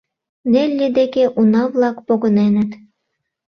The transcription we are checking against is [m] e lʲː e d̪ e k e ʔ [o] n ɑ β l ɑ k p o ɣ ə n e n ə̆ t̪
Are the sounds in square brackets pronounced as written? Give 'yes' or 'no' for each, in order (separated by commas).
no, no